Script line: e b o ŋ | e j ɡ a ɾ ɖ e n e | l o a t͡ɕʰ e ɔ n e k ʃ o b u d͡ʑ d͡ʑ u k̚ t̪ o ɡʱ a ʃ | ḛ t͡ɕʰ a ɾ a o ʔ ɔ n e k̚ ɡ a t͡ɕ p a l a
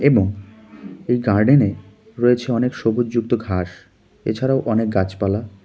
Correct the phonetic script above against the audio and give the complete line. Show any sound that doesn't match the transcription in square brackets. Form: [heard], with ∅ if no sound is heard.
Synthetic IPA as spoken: e b o ŋ | e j ɡ a ɾ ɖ e n e | [ɾ] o [e] t͡ɕʰ e ɔ n e k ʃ o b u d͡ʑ d͡ʑ u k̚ t̪ o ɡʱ a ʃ | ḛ t͡ɕʰ a ɾ a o ʔ ɔ n e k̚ ɡ a t͡ɕ p a l a